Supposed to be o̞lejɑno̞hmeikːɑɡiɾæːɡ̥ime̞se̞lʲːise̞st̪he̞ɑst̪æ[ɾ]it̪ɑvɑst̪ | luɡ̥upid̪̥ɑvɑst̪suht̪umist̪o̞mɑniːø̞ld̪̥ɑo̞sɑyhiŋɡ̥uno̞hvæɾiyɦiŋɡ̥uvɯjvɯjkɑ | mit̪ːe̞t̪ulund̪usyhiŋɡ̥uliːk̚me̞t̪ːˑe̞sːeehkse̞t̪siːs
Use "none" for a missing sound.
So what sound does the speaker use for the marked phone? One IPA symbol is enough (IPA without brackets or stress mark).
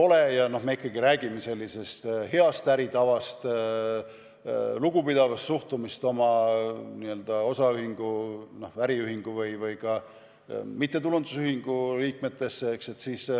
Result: ɾ